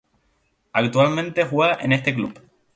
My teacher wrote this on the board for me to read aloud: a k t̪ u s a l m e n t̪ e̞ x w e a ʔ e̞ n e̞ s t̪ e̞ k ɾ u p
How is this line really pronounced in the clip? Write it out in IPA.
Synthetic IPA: a k t̪ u a l m ẽ n t̪ e̞ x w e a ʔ e̞ n e̞ s t̪ e̞ k l u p